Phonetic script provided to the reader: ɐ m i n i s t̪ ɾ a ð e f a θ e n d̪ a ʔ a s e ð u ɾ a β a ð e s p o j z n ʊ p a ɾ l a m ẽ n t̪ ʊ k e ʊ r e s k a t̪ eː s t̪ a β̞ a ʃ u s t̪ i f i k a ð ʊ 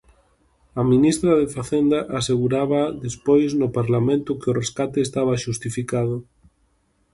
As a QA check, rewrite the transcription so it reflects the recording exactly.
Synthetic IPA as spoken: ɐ m i n i s t̪ ɾ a ð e f a θ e n d̪ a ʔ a s e ɣ u ɾ a β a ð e s p o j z n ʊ p a ɾ l a m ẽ n t̪ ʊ k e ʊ r e s k a t̪ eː s t̪ a β̞ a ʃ u s t̪ i f i k a ð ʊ